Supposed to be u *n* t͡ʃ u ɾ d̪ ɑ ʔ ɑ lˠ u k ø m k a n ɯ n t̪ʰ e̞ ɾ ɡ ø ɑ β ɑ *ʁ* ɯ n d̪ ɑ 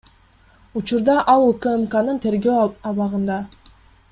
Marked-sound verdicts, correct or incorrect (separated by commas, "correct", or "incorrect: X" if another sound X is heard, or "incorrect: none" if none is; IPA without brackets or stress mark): incorrect: none, correct